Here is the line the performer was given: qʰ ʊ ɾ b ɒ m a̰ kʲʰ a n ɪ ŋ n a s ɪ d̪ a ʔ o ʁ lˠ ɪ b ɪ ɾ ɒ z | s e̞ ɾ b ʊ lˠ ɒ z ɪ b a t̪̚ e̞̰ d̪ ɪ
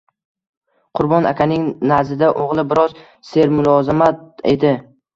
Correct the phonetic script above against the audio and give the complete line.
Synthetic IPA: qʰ ʊ ɾ b ɒ n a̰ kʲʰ a n ɪ ŋ n a z ɪ d̪ a ʔ o ʁ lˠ ɪ b ɪ ɾ ɒ z | s e̞ ɾ m ʊ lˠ ɒ z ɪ m a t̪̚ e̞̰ d̪ ɪ